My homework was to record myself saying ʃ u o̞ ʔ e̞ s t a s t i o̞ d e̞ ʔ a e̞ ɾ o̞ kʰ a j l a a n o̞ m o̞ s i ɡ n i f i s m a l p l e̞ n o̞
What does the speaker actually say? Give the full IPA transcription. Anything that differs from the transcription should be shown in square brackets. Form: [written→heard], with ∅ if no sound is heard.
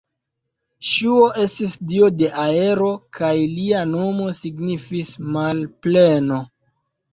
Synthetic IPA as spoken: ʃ u o̞ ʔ e̞ s t [a→i] s [t→d] i o̞ d e̞ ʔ a e̞ ɾ o̞ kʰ a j l [a→i] a n o̞ m o̞ s i ɡ n i f i s m a l p l e̞ n o̞